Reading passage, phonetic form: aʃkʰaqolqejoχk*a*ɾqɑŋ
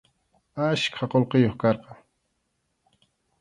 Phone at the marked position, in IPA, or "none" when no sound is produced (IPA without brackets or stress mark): ɑ